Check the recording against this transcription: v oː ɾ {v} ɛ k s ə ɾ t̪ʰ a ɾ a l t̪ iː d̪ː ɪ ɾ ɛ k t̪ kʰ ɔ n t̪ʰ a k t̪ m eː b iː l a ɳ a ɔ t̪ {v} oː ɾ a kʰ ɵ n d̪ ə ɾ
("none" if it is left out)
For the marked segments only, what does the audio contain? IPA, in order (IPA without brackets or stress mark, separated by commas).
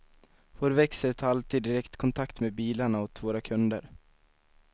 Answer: v, v